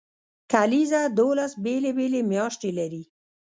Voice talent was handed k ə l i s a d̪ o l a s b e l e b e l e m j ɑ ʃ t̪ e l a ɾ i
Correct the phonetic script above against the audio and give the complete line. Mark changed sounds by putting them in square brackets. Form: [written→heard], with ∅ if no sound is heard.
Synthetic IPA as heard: k [ə→a] l i [s→z] a d̪ o l a s b e l e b e l e m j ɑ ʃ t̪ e l a ɾ i